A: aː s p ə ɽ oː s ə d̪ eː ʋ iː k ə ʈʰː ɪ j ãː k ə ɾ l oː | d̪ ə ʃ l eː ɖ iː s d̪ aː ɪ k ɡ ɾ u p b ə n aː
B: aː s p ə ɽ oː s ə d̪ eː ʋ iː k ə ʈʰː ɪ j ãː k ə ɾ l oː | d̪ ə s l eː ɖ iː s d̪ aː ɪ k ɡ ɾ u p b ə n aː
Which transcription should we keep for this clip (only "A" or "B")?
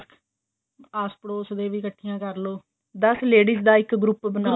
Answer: B